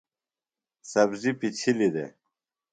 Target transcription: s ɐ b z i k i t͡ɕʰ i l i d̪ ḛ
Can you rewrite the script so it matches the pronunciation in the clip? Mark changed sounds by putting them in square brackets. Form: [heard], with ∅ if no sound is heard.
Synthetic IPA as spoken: s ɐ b z i [p] i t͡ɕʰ i l i d̪ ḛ